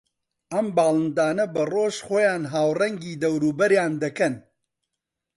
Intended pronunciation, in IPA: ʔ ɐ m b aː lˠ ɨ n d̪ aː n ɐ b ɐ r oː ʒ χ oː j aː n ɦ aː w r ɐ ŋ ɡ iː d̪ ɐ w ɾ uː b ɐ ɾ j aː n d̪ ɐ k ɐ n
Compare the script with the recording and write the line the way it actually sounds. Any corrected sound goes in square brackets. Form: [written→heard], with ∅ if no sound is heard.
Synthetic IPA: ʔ ɐ m b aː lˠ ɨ n d̪ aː n ɐ b ɐ r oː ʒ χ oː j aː n ɦ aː w r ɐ ŋ ɡ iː d̪ ɐ w ɾ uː b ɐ ɾ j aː n d̪ ɐ k ɐ n